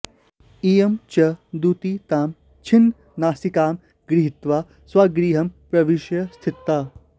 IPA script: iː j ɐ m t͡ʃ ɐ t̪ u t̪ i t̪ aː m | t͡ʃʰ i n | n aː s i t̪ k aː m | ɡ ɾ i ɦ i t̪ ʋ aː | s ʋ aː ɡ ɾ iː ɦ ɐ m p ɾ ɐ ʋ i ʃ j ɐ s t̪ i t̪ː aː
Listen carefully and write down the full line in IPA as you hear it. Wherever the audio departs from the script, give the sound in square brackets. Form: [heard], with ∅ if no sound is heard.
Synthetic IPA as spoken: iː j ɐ m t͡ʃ ɐ [d̪] u t̪ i t̪ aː m | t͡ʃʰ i n | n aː s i [∅] k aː m | ɡ ɾ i ɦ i t̪ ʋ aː | s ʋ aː ɡ ɾ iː ɦ ɐ m p ɾ ɐ ʋ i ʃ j ɐ s [t̪ʰ] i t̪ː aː